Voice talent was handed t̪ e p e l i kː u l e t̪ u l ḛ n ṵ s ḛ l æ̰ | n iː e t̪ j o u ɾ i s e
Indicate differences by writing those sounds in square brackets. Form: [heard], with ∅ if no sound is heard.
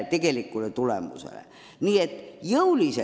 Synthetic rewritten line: t̪ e [k] e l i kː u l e t̪ u l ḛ [m] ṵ s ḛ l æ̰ | n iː e t̪ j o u [l] i s e